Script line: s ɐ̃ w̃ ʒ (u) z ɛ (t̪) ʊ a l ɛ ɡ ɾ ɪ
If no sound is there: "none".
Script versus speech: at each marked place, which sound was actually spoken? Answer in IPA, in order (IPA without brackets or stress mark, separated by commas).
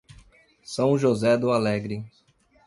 o, d̪